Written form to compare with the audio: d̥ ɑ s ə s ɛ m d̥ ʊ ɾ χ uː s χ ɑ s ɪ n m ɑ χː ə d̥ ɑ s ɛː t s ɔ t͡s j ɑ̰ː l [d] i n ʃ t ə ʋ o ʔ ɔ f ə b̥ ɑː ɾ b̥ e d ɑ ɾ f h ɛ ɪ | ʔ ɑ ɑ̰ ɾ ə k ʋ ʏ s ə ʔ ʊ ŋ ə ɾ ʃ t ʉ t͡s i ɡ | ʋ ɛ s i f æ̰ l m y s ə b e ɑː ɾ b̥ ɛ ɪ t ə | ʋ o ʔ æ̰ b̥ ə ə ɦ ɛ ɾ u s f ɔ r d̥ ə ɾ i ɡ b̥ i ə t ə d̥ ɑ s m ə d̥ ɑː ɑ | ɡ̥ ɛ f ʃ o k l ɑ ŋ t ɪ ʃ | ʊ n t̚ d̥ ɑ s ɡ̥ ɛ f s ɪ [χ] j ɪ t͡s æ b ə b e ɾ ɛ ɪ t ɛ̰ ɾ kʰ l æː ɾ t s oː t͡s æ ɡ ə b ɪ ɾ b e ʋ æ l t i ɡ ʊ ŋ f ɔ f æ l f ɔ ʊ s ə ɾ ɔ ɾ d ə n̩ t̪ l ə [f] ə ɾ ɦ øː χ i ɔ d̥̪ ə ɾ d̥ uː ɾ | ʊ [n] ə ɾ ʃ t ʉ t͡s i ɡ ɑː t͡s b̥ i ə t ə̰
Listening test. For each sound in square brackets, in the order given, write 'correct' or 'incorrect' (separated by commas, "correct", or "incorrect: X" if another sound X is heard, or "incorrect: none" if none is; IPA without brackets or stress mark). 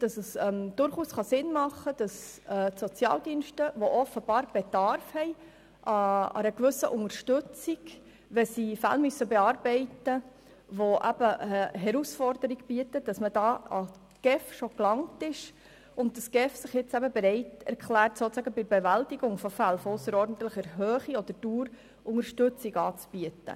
correct, correct, incorrect: χ, incorrect: ŋ